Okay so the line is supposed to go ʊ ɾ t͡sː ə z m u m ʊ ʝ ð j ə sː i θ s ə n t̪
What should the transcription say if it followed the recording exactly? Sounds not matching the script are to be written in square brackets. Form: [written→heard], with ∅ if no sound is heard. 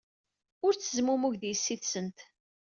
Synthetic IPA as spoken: ʊ ɾ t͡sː ə z m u m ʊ ʝ ð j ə sː i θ s ə n t̪